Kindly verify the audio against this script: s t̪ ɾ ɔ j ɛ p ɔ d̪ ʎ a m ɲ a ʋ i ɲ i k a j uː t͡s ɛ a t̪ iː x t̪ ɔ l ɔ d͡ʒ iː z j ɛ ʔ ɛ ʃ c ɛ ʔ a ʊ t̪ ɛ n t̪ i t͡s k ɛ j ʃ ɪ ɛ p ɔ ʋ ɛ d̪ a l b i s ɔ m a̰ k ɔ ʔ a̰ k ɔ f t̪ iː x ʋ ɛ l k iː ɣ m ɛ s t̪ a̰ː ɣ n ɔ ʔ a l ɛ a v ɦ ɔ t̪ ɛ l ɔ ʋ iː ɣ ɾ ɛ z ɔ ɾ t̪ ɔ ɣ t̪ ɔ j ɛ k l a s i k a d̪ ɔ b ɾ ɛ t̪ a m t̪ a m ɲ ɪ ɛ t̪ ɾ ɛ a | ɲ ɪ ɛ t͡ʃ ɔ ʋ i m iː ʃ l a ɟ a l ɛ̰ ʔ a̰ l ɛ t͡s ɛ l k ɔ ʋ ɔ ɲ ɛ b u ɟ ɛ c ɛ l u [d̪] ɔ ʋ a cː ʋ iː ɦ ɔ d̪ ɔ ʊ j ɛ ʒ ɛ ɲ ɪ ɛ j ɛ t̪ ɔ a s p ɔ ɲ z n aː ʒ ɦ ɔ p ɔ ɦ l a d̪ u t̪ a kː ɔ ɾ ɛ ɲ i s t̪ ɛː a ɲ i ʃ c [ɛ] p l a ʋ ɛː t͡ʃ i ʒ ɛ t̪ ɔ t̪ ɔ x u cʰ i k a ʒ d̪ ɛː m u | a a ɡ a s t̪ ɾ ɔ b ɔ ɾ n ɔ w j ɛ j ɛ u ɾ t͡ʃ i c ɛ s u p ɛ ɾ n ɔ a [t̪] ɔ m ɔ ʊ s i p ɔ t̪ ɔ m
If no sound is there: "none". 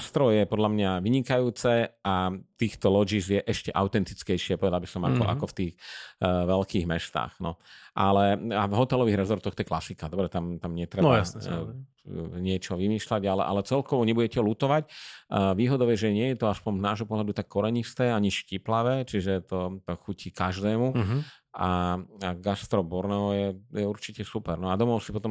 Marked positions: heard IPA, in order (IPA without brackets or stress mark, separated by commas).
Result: t̪, i, d̪